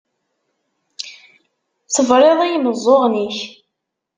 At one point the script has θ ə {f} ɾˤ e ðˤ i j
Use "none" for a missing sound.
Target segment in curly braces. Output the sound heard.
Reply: v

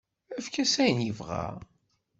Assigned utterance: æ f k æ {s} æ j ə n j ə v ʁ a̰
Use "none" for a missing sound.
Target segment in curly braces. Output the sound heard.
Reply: s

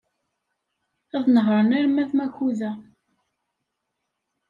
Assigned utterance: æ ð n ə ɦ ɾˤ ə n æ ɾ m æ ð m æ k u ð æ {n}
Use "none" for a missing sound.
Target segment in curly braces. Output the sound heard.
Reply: none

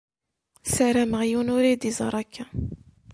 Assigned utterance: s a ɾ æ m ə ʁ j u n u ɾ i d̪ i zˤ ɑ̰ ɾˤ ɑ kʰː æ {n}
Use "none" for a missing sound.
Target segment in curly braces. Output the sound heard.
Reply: none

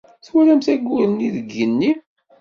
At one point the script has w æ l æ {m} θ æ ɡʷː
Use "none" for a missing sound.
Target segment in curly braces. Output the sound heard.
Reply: m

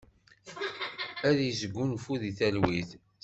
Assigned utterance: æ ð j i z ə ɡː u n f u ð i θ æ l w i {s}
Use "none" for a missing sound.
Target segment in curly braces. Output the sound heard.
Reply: θ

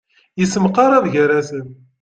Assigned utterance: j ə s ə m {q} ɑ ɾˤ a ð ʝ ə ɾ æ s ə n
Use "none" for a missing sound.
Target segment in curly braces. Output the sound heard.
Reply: q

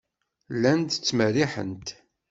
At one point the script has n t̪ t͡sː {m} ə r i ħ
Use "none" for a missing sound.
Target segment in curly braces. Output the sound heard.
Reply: m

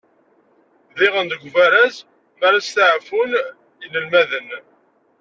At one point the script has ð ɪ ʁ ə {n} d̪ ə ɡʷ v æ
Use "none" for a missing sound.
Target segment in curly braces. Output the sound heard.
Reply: n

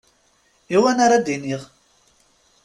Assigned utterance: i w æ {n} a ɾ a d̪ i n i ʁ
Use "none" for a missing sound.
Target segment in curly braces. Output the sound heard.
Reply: n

